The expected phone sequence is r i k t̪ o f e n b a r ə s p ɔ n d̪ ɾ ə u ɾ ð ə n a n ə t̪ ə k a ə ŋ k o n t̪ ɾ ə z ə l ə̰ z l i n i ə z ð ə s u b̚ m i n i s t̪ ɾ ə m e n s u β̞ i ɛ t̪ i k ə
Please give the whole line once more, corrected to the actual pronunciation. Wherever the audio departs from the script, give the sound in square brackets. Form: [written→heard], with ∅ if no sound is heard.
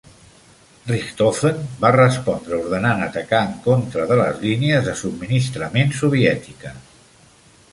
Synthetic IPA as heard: r i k t̪ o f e n b a r ə s p ɔ n d̪ ɾ ə u ɾ ð ə n a n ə t̪ ə k a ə ŋ k o n t̪ ɾ ə [z→ð] ə l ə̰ z l i n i ə z ð ə s u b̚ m i n i s t̪ ɾ ə m e n s u β̞ i ɛ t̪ i k ə